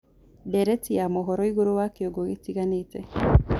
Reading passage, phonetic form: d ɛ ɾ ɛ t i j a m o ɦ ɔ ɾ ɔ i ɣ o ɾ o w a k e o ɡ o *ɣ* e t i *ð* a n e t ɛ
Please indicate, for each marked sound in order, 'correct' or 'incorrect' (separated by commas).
correct, incorrect